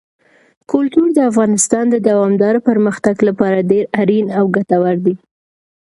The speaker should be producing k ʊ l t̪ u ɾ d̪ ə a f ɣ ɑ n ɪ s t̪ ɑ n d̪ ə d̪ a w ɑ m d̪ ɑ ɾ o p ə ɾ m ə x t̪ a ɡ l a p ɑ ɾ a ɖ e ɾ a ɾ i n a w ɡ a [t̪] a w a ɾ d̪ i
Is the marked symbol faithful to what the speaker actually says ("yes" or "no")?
yes